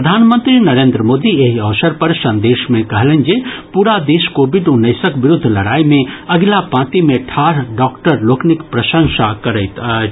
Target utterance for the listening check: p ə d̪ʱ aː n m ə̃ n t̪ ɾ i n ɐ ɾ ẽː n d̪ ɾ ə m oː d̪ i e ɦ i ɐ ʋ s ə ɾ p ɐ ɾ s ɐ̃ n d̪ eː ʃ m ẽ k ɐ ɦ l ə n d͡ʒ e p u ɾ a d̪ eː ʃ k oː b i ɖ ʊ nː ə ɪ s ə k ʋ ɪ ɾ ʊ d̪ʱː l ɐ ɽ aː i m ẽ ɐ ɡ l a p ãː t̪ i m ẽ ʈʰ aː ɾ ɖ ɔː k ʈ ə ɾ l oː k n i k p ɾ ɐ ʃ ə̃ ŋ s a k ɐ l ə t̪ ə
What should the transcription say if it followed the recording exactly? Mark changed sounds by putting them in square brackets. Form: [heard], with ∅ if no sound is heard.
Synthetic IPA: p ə d̪ʱ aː n m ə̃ n t̪ ɾ i n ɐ ɾ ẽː n d̪ ɾ ə m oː d̪ i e ɦ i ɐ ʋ s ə ɾ p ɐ ɾ s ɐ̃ n d̪ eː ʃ m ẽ k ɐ ɦ l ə n d͡ʒ e p u ɾ a d̪ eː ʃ k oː b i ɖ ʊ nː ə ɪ s ə k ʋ ɪ ɾ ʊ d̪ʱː l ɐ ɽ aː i m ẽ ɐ ɡ l a p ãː t̪ i m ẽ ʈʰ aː ɾ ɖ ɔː k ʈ ə ɾ l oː k n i k p ɾ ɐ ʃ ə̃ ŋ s a k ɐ [ɾ] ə t̪ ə